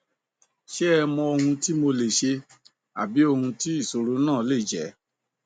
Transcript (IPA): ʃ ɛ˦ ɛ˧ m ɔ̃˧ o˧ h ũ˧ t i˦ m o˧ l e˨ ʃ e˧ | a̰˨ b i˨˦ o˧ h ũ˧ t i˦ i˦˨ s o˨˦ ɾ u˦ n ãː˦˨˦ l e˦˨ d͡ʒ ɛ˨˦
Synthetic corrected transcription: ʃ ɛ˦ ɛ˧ m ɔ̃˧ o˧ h ũ˧ t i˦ m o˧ l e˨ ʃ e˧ | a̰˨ b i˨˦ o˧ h ũ˧ t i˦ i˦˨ s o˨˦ ɾ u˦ n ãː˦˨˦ l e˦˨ d͡ʒ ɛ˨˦

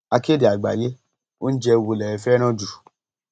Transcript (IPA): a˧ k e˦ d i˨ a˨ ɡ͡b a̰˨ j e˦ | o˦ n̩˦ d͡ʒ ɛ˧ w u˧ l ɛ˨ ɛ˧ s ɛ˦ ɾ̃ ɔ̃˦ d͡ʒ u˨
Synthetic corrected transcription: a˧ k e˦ d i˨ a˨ ɡ͡b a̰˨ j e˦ | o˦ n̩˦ d͡ʒ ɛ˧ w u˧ l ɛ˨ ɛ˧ f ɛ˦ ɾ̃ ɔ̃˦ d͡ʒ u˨

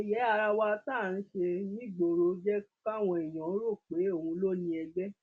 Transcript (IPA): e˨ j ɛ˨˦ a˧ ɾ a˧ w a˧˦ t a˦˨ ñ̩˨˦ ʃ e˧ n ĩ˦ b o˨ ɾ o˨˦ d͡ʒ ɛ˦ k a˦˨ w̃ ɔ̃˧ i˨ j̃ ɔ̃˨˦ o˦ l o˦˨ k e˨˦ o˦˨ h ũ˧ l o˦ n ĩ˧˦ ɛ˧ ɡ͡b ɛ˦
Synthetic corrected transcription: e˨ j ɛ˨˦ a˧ ɾ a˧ w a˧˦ t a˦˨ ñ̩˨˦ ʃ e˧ n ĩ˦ ɡ͡b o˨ ɾ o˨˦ d͡ʒ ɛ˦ k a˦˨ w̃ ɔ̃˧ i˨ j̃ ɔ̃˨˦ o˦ ɾ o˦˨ k͡p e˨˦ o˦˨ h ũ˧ l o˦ n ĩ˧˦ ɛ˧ ɡ͡b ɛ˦

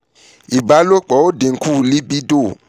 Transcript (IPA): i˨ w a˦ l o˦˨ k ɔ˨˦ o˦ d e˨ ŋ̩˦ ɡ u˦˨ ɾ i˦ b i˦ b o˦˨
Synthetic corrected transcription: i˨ b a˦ l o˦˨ k͡p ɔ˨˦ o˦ d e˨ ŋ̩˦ k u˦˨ l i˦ b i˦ d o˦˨

